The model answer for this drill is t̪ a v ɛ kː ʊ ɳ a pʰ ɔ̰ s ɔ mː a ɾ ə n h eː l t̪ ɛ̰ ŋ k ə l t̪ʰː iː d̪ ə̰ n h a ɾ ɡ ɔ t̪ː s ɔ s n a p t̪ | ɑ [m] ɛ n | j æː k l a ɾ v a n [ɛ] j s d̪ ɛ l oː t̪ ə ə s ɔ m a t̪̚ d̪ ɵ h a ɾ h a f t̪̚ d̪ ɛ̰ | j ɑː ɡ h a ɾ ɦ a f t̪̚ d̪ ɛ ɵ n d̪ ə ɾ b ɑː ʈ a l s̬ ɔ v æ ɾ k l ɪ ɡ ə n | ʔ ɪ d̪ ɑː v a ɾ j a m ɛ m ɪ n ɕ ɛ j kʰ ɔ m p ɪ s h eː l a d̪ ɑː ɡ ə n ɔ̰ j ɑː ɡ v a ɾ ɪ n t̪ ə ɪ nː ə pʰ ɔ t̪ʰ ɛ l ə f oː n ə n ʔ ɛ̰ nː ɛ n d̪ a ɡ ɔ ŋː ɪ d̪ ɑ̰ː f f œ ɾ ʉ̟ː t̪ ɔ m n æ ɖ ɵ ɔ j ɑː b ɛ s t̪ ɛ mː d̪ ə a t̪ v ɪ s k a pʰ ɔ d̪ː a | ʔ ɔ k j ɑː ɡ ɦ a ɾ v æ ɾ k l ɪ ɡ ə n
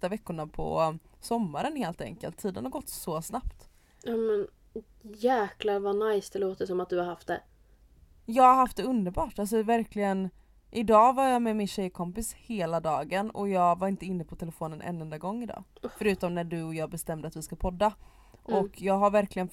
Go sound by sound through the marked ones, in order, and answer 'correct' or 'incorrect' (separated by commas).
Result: correct, incorrect